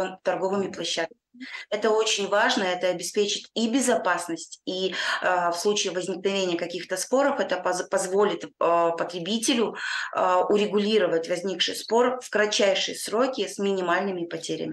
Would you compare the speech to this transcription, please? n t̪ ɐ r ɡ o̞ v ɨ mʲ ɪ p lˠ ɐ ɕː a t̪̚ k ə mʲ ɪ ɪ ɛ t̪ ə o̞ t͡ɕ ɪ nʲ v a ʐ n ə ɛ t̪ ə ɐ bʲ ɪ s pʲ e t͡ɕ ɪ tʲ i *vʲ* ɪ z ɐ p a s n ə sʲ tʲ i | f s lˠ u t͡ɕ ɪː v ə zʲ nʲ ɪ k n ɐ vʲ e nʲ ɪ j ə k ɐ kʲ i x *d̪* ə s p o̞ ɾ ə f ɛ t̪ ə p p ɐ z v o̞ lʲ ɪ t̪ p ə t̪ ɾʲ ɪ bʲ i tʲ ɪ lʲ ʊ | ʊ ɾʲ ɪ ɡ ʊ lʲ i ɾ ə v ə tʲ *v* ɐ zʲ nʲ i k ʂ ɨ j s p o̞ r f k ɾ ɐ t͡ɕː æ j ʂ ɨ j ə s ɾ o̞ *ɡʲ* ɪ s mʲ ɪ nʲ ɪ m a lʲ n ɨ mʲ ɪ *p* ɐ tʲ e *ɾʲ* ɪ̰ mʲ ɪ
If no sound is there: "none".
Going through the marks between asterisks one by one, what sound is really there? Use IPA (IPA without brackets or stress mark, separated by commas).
bʲ, t̪, v, kʲ, p, ɾʲ